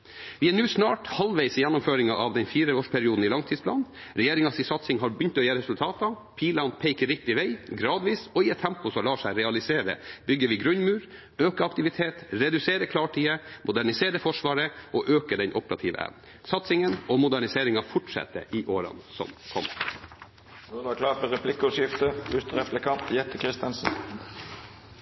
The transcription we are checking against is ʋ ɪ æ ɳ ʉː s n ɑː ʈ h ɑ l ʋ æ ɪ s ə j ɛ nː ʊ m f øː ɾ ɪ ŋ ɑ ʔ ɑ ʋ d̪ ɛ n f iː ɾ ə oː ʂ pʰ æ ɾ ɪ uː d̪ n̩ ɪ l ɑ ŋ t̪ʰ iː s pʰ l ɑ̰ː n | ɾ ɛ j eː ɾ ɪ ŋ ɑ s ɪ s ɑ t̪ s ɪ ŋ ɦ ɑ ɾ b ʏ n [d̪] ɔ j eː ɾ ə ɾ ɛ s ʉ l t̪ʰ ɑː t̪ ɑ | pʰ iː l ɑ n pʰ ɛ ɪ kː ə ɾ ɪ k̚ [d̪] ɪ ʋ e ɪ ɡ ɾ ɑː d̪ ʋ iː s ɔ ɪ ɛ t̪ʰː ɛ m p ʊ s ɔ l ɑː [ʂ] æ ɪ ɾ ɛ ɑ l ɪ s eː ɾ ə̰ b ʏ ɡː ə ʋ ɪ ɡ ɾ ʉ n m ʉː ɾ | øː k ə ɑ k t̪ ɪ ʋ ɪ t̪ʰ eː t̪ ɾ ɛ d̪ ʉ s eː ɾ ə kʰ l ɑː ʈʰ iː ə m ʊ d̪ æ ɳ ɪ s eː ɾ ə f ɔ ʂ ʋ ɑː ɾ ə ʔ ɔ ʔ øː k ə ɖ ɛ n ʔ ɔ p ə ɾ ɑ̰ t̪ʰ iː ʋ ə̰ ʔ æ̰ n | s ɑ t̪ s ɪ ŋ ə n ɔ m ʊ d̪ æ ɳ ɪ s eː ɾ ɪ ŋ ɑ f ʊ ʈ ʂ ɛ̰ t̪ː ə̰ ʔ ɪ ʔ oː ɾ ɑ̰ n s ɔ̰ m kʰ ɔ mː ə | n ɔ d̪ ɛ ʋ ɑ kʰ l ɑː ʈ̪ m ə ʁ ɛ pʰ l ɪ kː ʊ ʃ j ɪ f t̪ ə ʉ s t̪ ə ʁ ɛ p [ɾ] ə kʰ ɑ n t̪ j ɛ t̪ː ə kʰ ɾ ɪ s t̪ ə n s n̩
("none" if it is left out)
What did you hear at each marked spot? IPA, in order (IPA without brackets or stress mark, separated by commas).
t̪, t̪, ʂ, l